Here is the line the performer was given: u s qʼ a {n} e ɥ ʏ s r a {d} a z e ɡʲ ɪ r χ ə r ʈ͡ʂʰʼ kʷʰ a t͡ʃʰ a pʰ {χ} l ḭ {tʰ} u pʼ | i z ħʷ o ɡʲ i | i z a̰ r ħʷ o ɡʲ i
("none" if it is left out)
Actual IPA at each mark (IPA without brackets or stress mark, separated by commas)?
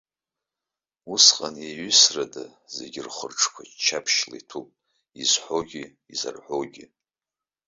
n, d, ʃ, tʰ